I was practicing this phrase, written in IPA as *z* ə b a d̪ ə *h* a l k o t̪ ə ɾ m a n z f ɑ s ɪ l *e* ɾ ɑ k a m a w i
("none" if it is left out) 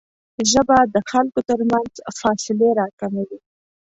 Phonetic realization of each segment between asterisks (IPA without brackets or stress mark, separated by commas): ʒ, x, e